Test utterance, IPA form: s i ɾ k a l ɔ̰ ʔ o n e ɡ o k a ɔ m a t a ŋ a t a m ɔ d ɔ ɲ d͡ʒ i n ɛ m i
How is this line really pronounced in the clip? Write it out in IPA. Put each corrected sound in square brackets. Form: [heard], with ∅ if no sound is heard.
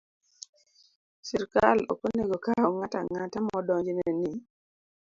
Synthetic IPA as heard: s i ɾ k a l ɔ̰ [k] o n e ɡ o k a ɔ [ŋ] a t a ŋ a t a m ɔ d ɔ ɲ d͡ʒ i n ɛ [n] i